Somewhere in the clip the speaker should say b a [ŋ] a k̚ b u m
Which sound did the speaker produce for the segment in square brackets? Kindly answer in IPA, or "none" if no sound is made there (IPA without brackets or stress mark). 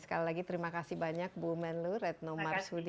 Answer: ɲ